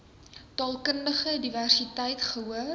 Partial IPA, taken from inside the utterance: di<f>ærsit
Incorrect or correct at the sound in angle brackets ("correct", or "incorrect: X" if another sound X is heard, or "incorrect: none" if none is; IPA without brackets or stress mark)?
incorrect: v